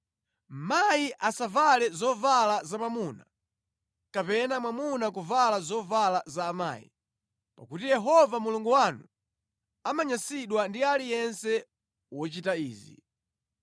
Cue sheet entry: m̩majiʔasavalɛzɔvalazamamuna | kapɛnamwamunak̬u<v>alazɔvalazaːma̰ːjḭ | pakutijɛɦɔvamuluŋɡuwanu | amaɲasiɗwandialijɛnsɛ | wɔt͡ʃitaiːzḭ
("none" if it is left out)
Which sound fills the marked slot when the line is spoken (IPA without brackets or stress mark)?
v